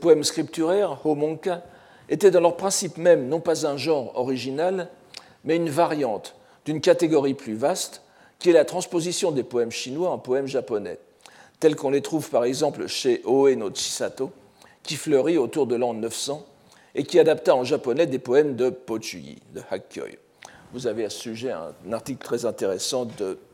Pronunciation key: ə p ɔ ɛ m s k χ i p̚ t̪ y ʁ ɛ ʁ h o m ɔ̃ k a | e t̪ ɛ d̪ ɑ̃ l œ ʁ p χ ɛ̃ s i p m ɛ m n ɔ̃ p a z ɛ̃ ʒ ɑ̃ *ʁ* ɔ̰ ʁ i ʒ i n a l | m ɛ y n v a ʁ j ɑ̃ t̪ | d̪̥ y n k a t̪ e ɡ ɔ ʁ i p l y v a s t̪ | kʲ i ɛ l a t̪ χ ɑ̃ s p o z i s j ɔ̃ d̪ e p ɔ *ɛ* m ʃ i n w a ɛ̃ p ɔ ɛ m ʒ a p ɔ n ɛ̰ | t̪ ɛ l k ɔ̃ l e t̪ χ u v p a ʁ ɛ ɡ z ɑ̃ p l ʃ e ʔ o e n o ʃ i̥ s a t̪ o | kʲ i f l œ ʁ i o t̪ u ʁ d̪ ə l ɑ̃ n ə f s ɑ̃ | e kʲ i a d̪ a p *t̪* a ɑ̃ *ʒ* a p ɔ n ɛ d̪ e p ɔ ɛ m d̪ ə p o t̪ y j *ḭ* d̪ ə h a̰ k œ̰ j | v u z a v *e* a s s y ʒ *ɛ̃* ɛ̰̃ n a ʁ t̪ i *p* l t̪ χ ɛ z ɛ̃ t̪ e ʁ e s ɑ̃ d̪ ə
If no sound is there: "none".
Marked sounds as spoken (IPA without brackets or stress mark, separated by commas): ʁ, ɛ, t̪, ʒ, ḭ, e, ɛ, k